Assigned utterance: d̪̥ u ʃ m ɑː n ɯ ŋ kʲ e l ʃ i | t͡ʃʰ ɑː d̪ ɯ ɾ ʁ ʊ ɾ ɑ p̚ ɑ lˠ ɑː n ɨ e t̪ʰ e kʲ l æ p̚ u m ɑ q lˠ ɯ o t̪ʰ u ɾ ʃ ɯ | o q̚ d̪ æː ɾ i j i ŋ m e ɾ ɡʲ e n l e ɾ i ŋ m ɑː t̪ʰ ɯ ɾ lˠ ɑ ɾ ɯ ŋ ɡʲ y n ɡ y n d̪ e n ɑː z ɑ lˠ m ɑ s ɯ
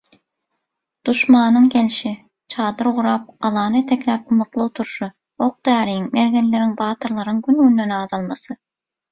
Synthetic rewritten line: d̪̥ u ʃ m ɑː n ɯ ŋ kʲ e l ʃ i | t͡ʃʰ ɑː d̪ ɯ ɾ ʁ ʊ ɾ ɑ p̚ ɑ lˠ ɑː n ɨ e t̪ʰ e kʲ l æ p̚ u m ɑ q lˠ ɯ o t̪ʰ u ɾ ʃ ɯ | o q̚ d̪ æː ɾ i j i ŋ m e ɾ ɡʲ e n l e ɾ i ŋ b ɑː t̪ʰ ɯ ɾ lˠ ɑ ɾ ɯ ŋ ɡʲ y n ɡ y n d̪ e n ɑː z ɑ lˠ m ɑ s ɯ